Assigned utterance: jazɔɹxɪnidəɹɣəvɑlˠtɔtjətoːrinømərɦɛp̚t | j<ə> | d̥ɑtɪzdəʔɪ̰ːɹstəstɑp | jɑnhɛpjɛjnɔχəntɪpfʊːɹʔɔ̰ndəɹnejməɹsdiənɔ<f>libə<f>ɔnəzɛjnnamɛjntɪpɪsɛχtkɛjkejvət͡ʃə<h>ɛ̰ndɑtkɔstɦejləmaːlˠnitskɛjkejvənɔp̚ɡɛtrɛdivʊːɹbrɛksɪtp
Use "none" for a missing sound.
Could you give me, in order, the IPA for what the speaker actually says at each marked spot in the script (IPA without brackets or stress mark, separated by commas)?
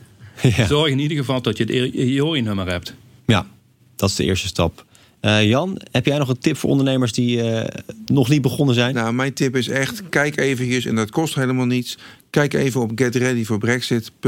a, χ, χ, s